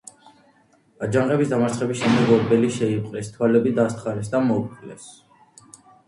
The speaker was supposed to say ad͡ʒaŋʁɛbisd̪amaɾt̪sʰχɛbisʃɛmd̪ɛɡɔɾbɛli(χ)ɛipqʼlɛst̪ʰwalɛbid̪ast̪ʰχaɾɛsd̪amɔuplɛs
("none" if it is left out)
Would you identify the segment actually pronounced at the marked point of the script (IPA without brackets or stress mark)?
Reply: ʃ